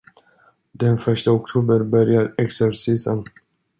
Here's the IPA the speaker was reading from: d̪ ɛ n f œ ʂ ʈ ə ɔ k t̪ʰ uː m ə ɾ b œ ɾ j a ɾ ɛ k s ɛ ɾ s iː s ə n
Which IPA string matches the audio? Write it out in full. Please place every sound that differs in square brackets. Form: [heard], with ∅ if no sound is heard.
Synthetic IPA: d̪ ɛ n f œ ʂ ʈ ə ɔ k t̪ʰ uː [b] ə ɾ b œ ɾ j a ɾ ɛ k s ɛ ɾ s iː s ə n